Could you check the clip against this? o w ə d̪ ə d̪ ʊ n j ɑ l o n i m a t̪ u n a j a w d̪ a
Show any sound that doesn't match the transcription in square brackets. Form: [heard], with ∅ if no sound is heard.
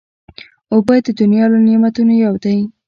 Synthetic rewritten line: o [b] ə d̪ ə d̪ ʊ n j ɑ l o n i m a t̪ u n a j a w d̪ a